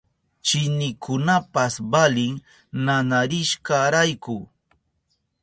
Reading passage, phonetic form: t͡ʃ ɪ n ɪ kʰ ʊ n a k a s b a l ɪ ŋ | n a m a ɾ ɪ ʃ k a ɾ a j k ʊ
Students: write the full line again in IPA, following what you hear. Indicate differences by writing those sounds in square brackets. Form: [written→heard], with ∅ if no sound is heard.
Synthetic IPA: t͡ʃ ɪ n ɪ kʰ ʊ n a [k→p] a s b a l ɪ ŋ | n a [m→n] a ɾ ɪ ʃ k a ɾ a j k ʊ